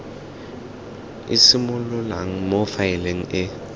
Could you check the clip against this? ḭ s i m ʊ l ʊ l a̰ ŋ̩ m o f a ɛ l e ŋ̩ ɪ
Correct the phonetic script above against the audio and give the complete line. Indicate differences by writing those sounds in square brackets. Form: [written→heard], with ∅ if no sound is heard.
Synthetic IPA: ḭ s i m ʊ l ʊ l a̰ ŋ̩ m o f a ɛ l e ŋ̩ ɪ